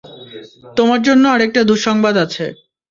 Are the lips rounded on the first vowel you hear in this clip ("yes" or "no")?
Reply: yes